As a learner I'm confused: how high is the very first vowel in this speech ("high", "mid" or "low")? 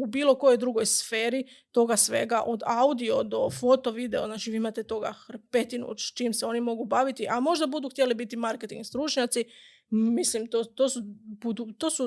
high